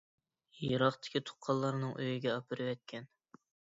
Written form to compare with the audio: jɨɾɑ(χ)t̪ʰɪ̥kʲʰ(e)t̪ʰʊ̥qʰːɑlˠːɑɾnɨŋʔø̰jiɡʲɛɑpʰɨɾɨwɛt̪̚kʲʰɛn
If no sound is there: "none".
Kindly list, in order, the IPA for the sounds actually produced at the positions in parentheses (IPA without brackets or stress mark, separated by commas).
χ, i